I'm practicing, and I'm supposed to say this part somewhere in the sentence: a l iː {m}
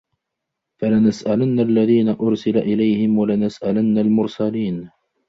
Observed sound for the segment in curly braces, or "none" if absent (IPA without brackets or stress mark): n